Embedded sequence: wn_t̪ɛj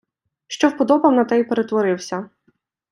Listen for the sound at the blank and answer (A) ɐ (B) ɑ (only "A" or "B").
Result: A